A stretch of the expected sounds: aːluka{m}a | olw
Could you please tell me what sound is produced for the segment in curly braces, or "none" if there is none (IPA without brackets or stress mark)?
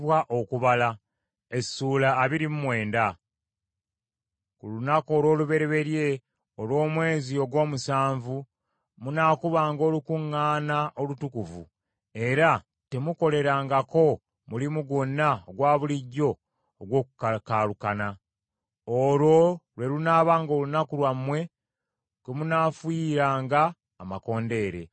n